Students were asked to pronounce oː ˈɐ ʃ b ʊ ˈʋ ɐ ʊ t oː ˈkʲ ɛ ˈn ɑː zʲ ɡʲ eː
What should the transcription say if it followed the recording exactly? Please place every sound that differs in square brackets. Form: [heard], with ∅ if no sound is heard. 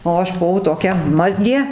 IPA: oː ˈɐ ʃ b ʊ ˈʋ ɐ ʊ t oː ˈkʲ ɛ [ˈm] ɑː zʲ ɡʲ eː

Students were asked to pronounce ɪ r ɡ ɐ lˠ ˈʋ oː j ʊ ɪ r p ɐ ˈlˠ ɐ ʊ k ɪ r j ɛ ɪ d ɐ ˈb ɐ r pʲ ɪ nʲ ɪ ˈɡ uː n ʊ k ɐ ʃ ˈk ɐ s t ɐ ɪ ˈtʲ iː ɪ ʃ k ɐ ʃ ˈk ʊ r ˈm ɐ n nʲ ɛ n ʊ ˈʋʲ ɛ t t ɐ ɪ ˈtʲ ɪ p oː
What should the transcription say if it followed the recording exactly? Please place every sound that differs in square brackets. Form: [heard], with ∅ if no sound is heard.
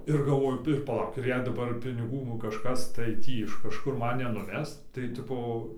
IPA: ɪ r ɡ ɐ lˠ ˈʋ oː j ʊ ɪ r p ɐ ˈlˠ ɐ ʊ k ɪ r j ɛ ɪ d ɐ ˈb ɐ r pʲ ɪ nʲ ɪ ˈɡ uː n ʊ k ɐ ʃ ˈk ɐ s t ɐ ɪ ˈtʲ iː ɪ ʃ k ɐ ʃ ˈk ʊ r ˈm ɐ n nʲ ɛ n ʊ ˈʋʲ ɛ [s] t ɐ ɪ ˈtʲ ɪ p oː

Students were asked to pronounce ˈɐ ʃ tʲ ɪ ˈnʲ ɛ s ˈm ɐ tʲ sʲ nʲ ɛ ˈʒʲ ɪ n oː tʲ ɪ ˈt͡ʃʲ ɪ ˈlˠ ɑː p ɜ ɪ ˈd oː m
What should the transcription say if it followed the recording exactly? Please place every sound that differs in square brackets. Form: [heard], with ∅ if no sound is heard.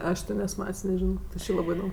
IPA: ˈɐ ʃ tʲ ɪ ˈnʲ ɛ s ˈm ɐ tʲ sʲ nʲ ɛ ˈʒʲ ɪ n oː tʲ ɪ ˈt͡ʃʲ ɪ ˈlˠ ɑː [b] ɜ ɪ ˈd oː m

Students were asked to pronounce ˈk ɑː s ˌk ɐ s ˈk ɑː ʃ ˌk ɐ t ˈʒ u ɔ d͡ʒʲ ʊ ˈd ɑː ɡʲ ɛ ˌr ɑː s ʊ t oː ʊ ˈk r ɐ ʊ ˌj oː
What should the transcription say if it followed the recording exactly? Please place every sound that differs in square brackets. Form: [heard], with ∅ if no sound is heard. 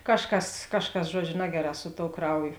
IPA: ˈk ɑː [ʃ] ˌk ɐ s ˈk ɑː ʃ ˌk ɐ [s] ˈʒ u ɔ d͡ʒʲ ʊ [ˈn] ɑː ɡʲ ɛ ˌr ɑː s ʊ t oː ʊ ˈk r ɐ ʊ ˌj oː

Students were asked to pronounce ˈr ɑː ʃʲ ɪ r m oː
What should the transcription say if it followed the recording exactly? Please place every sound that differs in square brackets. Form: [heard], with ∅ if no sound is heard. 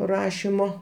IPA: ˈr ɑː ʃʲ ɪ [∅] m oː

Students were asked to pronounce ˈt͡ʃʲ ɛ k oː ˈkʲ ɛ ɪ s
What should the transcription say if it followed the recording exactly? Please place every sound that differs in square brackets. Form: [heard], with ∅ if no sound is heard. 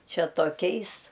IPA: ˈt͡ʃʲ ɛ [t] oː ˈkʲ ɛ ɪ s

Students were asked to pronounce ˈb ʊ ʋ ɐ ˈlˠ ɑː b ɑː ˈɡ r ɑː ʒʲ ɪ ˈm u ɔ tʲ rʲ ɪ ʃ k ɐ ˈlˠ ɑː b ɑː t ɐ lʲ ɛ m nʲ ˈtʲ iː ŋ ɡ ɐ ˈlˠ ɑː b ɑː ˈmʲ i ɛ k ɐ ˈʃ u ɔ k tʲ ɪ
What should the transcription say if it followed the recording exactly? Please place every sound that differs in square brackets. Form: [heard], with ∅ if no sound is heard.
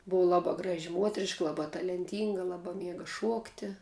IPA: ˈb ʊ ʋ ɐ ˈlˠ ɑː b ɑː ˈɡ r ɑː ʒʲ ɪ ˈm u ɔ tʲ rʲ ɪ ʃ k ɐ ˈlˠ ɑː b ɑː t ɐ lʲ ɛ [∅] nʲ ˈtʲ iː ŋ ɡ ɐ ˈlˠ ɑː b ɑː ˈmʲ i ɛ [ɡ] ɐ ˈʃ u ɔ k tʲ ɪ

